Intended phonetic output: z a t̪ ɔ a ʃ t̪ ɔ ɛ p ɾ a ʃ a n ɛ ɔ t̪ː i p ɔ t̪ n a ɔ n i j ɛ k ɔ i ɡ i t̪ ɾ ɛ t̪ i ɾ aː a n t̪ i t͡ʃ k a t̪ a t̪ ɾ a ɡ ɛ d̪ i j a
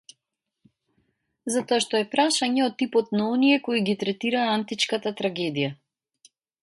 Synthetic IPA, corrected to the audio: z a t̪ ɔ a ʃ t̪ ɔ ɛ p ɾ a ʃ a ɲ ɛ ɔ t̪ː i p ɔ t̪ n a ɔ n i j ɛ k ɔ i ɡ i t̪ ɾ ɛ t̪ i ɾ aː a n t̪ i t͡ʃ k a t̪ a t̪ ɾ a ɡ ɛ d̪ i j a